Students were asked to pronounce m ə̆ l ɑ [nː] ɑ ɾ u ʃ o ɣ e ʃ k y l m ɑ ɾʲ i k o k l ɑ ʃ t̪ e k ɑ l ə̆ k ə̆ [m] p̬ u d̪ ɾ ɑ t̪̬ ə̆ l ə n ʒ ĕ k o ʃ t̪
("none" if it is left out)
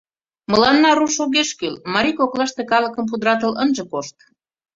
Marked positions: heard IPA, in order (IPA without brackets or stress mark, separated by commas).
nː, m